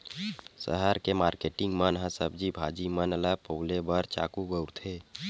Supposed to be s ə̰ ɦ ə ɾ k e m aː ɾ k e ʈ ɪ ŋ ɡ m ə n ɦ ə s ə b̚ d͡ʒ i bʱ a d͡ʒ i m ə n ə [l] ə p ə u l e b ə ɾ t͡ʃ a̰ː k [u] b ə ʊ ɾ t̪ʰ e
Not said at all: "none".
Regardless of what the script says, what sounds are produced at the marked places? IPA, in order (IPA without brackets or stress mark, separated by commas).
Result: l, u